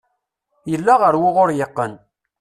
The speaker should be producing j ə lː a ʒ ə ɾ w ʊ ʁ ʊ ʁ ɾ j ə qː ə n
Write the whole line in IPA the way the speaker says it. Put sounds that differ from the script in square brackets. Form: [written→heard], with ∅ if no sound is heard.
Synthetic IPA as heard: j ə lː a [ʒ→ʁ] ə ɾ w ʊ ʁ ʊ [ʁ→∅] ɾ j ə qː ə n

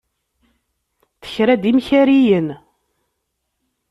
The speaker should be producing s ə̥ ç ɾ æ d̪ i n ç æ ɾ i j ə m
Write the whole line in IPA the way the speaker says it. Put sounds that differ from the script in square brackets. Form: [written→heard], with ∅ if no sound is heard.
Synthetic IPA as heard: [s→θ] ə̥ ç ɾ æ d̪ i [n→m] ç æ ɾ i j ə [m→n]

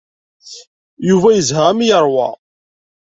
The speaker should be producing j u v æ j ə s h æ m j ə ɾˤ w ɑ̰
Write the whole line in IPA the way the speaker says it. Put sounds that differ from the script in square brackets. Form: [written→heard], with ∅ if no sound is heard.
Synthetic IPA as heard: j u v æ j ə [s→z] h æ m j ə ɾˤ w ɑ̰

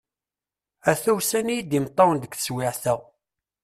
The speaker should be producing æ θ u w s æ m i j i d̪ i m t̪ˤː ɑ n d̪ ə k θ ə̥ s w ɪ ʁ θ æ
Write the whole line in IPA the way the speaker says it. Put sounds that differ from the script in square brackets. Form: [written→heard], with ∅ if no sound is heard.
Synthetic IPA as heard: æ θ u w s æ [m→n] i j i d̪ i m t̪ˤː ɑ n d̪ ə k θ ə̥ s w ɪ [ʁ→ʕ] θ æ

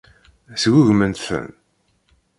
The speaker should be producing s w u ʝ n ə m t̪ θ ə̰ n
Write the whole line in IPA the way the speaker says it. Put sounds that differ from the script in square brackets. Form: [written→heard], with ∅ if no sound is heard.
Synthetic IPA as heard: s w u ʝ [n→m] ə [m→n] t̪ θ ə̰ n

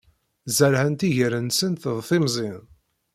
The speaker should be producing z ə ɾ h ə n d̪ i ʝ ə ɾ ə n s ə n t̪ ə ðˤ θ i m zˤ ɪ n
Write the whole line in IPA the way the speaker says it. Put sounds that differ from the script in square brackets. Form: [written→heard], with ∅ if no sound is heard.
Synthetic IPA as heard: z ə ɾ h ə n [d̪→t̪] i ʝ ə ɾ ə n s ə n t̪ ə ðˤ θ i m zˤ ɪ n

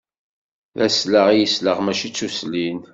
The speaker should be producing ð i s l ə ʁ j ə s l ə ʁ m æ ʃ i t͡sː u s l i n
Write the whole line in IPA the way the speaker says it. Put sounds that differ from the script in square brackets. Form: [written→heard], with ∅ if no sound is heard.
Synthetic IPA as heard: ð [i→æ] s l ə ʁ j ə s l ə ʁ m æ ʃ i t͡sː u s l i n

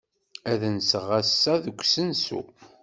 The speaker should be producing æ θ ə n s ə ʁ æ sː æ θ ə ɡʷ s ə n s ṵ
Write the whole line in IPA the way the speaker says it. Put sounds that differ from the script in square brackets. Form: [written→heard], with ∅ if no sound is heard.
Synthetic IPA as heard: æ [θ→ð] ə n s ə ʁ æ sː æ [θ→ð] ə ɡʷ s ə n s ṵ

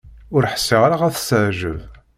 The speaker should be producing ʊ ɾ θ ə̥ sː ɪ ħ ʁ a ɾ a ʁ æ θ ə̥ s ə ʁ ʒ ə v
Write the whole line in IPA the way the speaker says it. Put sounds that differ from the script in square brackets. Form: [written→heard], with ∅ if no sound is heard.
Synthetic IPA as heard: ʊ ɾ [θ→ħ] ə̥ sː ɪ [ħ→∅] ʁ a ɾ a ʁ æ θ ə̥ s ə [ʁ→ʕ] ʒ ə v

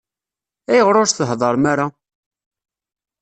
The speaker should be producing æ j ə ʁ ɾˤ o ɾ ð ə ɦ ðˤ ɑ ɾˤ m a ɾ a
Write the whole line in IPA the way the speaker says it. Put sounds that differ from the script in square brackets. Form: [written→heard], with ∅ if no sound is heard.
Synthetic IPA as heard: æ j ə ʁ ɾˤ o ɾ [ð→θ] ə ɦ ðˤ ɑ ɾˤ m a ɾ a

